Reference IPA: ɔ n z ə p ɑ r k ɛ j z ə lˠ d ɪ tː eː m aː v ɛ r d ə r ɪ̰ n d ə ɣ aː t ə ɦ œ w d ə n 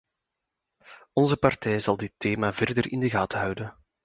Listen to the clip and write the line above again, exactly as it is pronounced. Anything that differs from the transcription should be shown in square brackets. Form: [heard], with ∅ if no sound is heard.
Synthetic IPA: ɔ n z ə p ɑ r [t] ɛ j z [ɑ] lˠ d ɪ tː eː m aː v ɛ r d ə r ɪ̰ n d ə ɣ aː t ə ɦ œ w d ə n